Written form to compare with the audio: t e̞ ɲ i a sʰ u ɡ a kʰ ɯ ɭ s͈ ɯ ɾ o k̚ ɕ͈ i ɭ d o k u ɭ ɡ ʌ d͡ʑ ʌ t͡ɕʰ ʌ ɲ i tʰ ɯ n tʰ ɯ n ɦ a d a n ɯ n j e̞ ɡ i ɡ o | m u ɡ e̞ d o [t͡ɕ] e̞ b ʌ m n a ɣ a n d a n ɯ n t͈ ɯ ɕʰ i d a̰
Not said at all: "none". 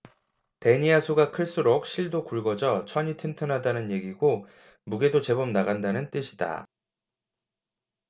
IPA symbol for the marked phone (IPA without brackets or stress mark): t͡ɕ